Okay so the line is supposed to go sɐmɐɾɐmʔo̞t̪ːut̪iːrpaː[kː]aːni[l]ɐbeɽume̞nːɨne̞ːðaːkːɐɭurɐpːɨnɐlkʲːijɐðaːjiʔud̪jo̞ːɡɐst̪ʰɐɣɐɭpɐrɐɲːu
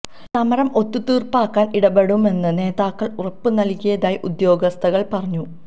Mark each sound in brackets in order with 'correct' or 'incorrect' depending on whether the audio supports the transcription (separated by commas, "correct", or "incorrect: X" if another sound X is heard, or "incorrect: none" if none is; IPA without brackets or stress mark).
correct, incorrect: ɽ